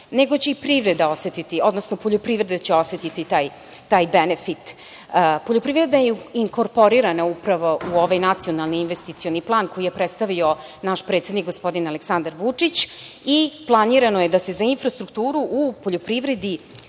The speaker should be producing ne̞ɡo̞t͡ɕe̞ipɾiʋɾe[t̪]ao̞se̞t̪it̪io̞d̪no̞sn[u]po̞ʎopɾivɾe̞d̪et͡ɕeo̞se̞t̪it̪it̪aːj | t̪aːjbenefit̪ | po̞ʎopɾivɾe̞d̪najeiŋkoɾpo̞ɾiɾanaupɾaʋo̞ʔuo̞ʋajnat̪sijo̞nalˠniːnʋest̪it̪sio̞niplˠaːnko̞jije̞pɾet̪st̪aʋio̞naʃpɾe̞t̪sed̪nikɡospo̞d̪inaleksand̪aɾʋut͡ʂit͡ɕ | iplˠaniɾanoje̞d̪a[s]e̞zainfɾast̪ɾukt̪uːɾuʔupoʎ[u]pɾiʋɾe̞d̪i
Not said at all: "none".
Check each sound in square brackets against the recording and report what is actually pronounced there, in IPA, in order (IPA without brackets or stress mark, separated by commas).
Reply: d̪, o, s, o